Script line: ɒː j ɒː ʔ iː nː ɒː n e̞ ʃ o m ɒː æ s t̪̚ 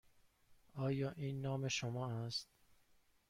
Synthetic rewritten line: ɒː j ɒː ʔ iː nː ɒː m e̞ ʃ o m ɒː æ s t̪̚